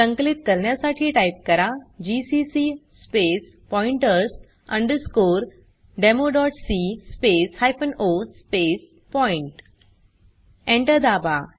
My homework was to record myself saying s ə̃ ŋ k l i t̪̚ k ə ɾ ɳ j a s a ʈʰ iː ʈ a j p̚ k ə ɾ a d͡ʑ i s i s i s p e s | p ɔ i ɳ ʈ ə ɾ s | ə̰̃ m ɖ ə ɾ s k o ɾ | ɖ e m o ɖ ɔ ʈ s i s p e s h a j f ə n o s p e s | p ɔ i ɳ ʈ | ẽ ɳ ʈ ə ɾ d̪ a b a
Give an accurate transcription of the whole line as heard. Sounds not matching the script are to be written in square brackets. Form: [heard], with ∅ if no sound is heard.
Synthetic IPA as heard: s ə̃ ŋ k l i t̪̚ k ə ɾ ɳ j a s a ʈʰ iː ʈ a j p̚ k ə ɾ a d͡ʑ i s i s i s p e s | p ɔ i ɳ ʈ ə ɾ s | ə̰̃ [ɳ] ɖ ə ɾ s k o ɾ | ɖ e m o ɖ ɔ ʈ s i s p e s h a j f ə n o s p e s | p ɔ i ɳ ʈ | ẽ ɳ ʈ ə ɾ d̪ a b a